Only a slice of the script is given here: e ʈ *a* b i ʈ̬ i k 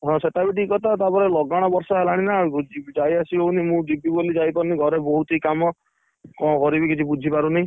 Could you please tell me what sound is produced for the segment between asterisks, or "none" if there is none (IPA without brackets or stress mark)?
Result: a